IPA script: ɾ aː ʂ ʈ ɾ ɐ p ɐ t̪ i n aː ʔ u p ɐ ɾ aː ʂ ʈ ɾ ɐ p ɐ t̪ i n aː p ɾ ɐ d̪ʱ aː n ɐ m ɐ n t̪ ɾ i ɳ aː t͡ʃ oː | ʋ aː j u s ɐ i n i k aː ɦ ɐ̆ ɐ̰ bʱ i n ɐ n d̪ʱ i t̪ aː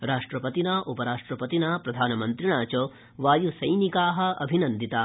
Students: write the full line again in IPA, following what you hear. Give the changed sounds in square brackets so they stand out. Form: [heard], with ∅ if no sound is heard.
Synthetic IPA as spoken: ɾ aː ʂ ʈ ɾ ɐ p ɐ t̪ i n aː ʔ u p ɐ ɾ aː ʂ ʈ ɾ ɐ p ɐ t̪ i n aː p ɾ ɐ d̪ʱ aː n ɐ m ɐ n t̪ ɾ i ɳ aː t͡ʃ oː | ʋ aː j u s ɐ [j] n i k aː ɦ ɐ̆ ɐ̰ bʱ i n ɐ n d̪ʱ i t̪ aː